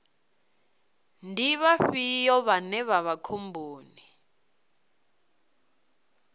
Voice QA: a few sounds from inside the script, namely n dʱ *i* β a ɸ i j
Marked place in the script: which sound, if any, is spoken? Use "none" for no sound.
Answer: i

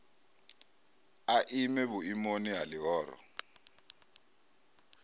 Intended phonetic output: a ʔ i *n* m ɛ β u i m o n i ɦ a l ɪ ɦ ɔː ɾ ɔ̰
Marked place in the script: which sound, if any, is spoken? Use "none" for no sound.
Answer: none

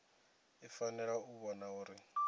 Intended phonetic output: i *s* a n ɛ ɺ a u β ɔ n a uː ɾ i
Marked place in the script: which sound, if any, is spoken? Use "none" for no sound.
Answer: f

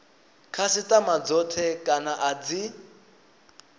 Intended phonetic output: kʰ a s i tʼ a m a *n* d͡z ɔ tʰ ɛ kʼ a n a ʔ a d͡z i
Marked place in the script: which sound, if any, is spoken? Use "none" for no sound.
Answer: none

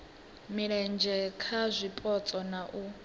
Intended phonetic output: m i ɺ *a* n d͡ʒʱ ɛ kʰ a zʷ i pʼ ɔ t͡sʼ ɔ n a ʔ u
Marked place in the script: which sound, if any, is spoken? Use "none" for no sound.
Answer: ɛ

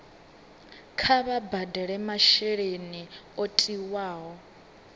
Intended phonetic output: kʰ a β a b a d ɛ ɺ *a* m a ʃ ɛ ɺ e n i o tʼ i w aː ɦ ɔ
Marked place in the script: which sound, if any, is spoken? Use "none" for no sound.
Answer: ɛ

